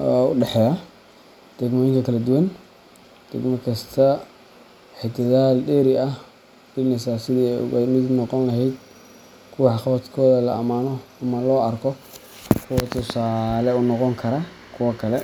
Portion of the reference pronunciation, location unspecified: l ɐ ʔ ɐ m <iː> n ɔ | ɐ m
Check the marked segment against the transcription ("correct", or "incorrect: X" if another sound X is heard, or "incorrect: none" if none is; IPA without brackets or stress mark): incorrect: aː